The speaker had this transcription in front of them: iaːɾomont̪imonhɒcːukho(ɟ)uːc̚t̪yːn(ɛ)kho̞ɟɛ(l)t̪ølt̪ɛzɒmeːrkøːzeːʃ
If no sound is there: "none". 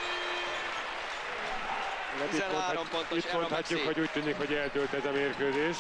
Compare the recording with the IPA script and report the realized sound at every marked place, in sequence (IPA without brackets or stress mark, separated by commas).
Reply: ɟ, i, l